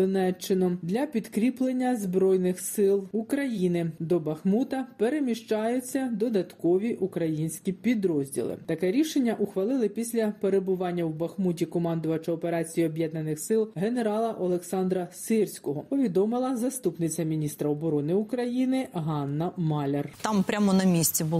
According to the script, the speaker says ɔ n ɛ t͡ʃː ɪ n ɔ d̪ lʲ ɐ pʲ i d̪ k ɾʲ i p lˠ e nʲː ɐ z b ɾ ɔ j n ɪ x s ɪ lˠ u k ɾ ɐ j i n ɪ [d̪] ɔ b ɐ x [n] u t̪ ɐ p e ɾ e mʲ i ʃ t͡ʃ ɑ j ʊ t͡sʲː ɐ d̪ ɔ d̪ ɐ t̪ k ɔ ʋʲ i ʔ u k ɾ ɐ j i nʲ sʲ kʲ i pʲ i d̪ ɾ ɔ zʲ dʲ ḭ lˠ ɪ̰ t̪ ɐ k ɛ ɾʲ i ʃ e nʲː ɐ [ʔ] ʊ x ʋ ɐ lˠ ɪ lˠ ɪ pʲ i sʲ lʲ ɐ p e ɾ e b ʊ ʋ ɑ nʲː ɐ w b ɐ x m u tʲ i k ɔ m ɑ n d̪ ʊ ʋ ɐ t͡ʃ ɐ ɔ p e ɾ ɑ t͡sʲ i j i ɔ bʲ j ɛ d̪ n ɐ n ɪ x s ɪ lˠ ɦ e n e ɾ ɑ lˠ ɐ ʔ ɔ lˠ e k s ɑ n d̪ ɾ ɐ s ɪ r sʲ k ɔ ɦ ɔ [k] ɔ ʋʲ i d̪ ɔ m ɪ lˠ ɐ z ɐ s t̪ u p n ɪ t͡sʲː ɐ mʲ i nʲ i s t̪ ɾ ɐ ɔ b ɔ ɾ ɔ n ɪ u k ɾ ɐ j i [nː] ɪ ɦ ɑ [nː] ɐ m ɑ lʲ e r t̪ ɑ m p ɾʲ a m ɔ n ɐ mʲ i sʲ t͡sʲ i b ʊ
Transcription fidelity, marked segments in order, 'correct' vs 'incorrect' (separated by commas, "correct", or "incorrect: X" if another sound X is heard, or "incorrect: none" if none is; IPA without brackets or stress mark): correct, incorrect: m, correct, incorrect: p, incorrect: n, correct